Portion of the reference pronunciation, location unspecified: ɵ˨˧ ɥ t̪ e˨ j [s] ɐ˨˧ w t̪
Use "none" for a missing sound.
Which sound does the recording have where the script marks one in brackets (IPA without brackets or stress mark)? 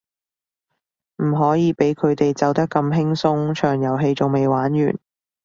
t͡s